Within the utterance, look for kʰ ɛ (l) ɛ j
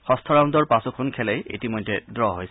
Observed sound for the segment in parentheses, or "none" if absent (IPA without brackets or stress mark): l